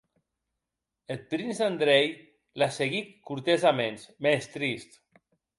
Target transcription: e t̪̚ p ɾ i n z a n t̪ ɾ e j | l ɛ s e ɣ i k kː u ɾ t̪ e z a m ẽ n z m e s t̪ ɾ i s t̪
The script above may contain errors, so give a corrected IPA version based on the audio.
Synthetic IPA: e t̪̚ p ɾ i n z a n d̪ ɾ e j | l a s e ɣ i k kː u ɾ t̪ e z a m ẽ n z m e s t̪ ɾ i s t̪